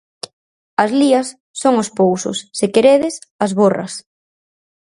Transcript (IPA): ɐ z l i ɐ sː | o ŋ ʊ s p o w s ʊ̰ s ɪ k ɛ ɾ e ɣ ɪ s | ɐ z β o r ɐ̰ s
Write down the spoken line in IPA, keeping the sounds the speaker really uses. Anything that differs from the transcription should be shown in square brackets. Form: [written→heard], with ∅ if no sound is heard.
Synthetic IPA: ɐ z l i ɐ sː | o ŋ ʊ s p o w s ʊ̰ [s→sː] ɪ k [ɛ→e] ɾ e [ɣ→ð] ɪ s | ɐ z β o r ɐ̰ s